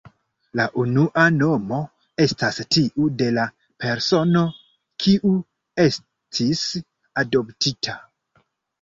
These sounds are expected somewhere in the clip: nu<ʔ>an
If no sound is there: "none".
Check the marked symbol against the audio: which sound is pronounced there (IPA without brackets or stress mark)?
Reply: ʔ